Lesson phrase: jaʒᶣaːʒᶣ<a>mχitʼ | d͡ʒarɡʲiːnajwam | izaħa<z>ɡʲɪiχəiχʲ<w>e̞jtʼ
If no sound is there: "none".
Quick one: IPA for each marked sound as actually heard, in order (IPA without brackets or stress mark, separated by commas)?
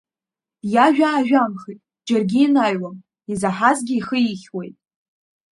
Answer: a, z, w